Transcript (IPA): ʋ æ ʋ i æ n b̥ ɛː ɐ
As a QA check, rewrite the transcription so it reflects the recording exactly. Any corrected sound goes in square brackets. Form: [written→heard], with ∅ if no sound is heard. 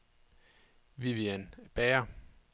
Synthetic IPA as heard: ʋ [æ→i] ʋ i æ n b̥ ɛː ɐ

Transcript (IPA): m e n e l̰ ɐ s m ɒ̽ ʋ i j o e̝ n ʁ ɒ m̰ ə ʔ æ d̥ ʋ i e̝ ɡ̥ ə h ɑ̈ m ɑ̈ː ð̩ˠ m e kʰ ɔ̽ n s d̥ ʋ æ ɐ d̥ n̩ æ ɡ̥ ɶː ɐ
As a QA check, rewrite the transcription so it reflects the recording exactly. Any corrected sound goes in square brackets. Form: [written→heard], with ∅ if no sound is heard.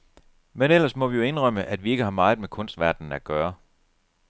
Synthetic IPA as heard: m e n e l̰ ɐ s m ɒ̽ ʋ i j o e̝ n ʁ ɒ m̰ ə ʔ æ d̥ ʋ i e̝ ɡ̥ ə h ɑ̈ m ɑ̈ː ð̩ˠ m e kʰ ɔ̽ n s d̥ ʋ æ ɐ d̥ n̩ æ ɡ̥ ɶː ɐ

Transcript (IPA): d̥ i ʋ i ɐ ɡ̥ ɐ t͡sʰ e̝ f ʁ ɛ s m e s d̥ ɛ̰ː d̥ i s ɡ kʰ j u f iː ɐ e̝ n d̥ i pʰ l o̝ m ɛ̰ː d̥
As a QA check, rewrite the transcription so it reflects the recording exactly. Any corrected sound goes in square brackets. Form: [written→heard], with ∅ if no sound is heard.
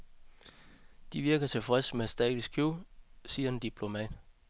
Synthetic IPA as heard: d̥ i ʋ i ɐ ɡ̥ ɐ t͡sʰ e̝ f ʁ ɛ s m e s d̥ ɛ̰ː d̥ i s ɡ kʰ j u [f→s] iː ɐ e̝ n d̥ i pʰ l o̝ m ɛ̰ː d̥

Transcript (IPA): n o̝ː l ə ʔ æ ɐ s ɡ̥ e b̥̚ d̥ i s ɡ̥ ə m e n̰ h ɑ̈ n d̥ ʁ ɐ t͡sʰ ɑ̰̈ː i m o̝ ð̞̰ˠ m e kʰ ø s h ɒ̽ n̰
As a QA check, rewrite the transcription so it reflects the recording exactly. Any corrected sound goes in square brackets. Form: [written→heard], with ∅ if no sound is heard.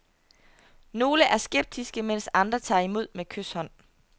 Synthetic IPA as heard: n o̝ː l ə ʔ æ ɐ s ɡ̥ e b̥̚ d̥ i s ɡ̥ ə m e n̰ [h→s] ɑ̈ n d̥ ʁ ɐ t͡sʰ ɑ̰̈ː i m o̝ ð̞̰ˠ m e kʰ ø s h ɒ̽ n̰

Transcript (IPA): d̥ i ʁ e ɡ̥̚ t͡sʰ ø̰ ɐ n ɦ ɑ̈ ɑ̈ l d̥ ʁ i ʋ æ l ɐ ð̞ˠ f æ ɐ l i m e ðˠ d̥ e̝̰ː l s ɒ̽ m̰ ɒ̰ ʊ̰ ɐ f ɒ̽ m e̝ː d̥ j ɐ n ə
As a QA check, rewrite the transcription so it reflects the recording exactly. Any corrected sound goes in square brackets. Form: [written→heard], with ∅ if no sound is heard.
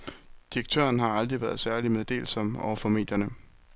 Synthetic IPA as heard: d̥ i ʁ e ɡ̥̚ t͡sʰ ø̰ ɐ n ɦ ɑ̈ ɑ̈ l d̥ ʁ i ʋ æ [l→∅] ɐ ð̞ˠ [f→s] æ ɐ l i m e ðˠ d̥ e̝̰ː l s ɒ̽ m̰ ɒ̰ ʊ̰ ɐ f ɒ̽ m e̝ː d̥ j ɐ n ə

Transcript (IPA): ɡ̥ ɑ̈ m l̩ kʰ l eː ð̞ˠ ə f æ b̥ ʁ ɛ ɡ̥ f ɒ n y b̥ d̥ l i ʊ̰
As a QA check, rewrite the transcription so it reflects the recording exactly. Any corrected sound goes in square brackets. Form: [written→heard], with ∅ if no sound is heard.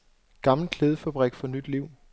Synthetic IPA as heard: ɡ̥ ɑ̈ m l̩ kʰ l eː ð̞ˠ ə f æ b̥ ʁ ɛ ɡ̥ f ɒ n y [b̥→∅] d̥ l i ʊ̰

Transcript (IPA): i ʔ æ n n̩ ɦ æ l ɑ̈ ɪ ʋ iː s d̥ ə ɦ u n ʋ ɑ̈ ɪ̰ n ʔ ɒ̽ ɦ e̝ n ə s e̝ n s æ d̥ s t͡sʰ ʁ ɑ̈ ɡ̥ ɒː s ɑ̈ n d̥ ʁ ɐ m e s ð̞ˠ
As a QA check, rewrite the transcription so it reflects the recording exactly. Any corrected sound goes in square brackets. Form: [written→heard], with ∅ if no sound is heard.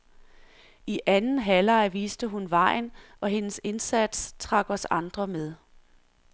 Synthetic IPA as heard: i ʔ æ n n̩ ɦ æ l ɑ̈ ɪ ʋ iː s d̥ ə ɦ u n ʋ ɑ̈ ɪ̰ n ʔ ɒ̽ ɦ e̝ n ə s e̝ n s æ d̥ s t͡sʰ ʁ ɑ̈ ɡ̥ [ɒː→ɒ] s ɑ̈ n d̥ ʁ ɐ m e [s→∅] ð̞ˠ

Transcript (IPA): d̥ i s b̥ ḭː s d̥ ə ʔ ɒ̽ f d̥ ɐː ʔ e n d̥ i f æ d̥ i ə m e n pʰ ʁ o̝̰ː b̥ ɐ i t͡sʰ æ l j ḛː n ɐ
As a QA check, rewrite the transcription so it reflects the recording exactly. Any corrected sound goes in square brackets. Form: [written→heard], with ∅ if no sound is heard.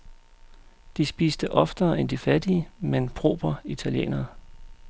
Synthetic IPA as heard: d̥ i s b̥ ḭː s d̥ ə ʔ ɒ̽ f d̥ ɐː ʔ e n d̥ i f æ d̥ i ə m e n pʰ ʁ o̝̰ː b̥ ɐ i t͡sʰ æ l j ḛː n ɐ

